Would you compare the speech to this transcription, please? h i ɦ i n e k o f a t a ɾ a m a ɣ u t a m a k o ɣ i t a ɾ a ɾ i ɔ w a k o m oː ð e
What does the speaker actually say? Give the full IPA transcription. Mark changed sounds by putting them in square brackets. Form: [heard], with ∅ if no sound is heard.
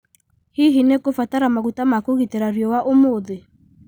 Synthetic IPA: h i ɦ i n e k o f a t a ɾ a m a ɣ u t a m a k o ɣ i t [e] ɾ a ɾ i ɔ w a [ʔ] o m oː ð e